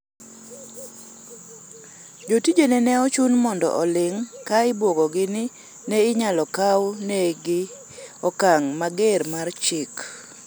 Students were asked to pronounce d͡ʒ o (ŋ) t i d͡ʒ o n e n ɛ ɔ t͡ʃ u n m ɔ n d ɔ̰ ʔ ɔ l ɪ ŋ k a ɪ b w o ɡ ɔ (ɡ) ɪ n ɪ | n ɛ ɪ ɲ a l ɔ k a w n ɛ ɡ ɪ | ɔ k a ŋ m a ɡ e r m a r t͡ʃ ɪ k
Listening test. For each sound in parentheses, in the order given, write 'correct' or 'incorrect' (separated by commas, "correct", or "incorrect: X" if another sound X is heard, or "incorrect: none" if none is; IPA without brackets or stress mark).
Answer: incorrect: none, correct